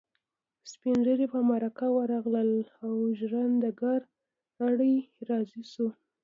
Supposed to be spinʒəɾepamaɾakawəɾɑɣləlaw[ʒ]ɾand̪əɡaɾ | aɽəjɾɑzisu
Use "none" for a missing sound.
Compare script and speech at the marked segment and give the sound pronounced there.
ʒ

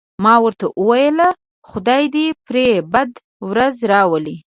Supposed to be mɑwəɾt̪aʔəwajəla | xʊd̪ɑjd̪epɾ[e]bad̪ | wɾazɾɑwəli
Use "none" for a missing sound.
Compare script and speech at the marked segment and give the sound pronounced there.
e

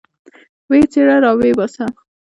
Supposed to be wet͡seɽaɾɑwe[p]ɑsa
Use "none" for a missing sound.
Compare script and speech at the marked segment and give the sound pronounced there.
b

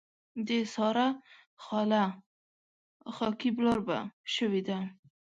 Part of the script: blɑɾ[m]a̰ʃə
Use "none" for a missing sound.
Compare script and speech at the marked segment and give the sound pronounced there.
b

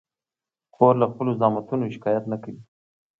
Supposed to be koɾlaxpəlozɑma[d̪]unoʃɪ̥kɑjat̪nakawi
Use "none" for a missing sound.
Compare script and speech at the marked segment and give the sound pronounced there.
t̪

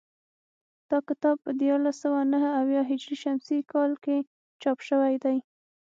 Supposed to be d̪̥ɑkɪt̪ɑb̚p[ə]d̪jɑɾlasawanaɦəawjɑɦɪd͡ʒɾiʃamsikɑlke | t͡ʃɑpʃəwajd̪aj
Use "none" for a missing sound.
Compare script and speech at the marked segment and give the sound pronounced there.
ə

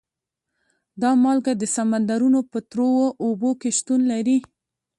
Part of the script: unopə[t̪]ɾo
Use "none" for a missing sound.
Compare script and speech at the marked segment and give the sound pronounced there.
t̪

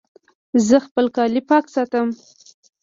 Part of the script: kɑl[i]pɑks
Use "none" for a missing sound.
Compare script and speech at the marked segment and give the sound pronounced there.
i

